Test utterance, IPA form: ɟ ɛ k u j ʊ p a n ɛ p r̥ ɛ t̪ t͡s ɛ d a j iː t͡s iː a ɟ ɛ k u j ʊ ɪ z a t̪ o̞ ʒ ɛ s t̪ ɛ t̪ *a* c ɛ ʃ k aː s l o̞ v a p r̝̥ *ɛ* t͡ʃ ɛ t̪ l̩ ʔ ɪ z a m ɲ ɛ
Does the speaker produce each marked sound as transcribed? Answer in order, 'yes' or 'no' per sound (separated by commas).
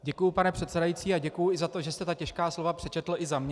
yes, yes